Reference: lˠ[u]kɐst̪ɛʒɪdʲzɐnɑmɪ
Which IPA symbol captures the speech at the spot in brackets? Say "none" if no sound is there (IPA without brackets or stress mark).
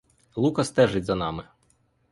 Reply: u